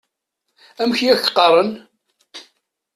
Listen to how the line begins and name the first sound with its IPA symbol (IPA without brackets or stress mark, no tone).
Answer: æ